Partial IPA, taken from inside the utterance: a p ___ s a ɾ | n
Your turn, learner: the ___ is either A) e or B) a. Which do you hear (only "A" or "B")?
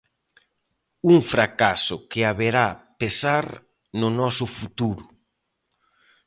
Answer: A